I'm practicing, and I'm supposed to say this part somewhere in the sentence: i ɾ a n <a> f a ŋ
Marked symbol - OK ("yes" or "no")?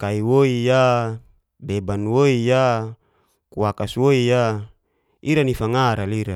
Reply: no